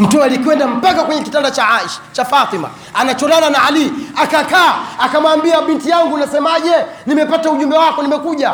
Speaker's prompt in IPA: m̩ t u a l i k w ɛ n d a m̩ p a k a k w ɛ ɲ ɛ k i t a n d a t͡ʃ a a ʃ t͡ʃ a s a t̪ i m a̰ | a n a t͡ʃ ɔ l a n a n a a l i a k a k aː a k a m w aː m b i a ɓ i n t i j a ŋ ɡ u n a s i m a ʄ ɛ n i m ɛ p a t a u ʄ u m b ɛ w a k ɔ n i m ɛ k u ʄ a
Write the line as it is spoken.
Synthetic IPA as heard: m̩ t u a l i k w ɛ n d a m̩ p a k a k w ɛ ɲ ɛ k i t a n d a t͡ʃ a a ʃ t͡ʃ a f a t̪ i m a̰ | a n a t͡ʃ ɔ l a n a n a a l i a k a k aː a k a m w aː m b i a ɓ i n t i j a ŋ ɡ u n a s ɛ m a ʄ ɛ n i m ɛ p a t a u ʄ u m b ɛ w a k ɔ n i m ɛ k u ʄ a